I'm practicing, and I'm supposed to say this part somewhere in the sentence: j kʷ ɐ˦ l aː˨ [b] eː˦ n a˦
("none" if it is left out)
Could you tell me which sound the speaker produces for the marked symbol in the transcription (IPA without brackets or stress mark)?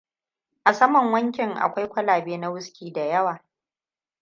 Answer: b